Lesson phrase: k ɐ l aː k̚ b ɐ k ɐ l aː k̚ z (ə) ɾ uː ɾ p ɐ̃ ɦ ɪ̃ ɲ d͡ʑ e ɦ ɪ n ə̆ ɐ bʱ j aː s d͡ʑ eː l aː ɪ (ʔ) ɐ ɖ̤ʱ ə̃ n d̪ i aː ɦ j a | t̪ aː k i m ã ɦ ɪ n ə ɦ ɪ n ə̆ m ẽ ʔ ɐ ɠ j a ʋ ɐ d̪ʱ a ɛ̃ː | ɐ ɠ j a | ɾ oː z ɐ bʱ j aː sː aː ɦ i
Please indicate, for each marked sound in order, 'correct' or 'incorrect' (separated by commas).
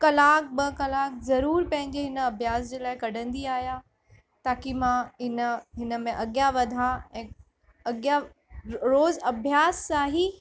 incorrect, incorrect